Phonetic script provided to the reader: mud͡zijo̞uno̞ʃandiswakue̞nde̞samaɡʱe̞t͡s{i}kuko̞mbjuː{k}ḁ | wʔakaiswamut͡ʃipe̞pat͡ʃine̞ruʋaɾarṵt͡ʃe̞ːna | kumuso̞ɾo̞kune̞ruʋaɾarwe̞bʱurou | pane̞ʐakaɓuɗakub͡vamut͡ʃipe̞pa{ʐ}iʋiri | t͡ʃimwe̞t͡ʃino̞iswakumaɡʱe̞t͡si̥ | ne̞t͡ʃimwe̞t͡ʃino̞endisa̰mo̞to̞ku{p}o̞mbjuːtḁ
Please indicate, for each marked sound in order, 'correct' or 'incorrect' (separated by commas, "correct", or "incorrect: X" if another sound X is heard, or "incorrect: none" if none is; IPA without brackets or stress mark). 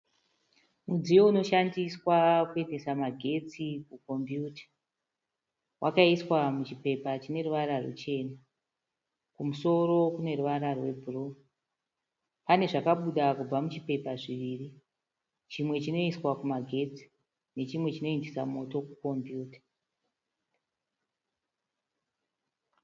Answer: correct, incorrect: t, correct, incorrect: k